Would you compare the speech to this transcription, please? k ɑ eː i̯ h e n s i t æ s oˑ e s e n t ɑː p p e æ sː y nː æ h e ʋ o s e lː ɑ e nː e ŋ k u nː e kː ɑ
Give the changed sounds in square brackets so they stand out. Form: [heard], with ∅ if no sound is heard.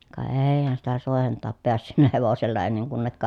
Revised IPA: k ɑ eː i̯ h [æ] n s i t æ s oˑ e [h] e n t ɑː p p e æ sː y nː æ h e ʋ o s e lː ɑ e nː e ŋ k u nː e kː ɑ